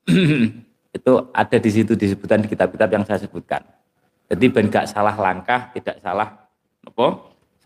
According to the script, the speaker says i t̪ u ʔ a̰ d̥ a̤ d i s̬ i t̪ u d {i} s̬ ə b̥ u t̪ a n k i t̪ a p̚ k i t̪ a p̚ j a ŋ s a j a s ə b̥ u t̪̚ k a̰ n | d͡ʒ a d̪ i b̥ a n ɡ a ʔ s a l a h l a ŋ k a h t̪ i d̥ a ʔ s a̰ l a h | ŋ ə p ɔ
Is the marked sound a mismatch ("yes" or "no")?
no